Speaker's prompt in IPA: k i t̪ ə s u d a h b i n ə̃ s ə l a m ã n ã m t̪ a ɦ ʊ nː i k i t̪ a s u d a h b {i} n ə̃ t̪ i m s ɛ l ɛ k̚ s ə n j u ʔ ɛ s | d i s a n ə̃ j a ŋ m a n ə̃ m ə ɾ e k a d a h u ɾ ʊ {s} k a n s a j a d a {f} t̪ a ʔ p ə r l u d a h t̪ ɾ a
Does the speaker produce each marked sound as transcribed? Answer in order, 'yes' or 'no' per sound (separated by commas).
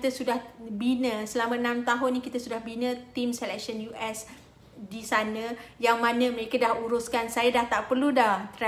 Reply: yes, yes, no